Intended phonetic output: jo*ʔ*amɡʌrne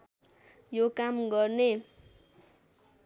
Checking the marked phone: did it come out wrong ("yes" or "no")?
yes